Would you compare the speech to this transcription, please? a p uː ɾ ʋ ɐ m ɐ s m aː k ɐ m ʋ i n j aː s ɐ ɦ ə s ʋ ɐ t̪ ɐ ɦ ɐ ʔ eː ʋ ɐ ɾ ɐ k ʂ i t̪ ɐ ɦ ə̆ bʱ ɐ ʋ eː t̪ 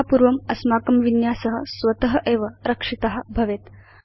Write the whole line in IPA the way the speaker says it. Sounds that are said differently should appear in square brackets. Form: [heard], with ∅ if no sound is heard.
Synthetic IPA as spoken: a p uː ɾ ʋ ɐ m ɐ s m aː k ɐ m ʋ i n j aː s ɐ ɦ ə s ʋ ɐ t̪ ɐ ɦ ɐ ʔ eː ʋ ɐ ɾ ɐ k ʂ i t̪ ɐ ɦ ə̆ bʱ ɐ ʋ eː t̪